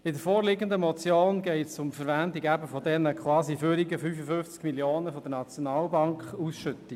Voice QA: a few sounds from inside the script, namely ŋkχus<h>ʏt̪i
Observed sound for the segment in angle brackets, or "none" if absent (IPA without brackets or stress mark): ʃ